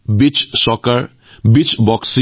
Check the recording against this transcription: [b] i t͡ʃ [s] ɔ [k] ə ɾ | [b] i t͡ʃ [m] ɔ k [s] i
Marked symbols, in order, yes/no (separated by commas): yes, yes, yes, yes, no, yes